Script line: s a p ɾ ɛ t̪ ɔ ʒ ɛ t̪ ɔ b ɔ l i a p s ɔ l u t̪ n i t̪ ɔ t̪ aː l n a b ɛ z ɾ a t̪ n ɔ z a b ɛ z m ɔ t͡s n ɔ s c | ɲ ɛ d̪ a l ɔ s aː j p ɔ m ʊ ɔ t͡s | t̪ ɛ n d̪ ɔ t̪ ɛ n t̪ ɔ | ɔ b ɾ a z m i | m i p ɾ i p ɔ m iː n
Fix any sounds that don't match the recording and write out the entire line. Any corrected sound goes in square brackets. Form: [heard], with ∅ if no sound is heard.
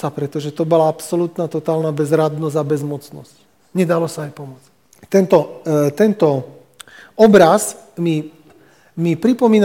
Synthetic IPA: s a p ɾ ɛ t̪ ɔ ʒ ɛ t̪ ɔ b ɔ l [a] a p s ɔ l u t̪ n [a] t̪ ɔ t̪ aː l n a b ɛ z ɾ a [d̪] n ɔ z a b ɛ z m ɔ t͡s n ɔ s c | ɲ ɛ d̪ a l ɔ s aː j p ɔ m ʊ ɔ t͡s | t̪ ɛ n [t̪] ɔ t̪ ɛ n t̪ ɔ | ɔ b ɾ a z m i | m i p ɾ i p ɔ m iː n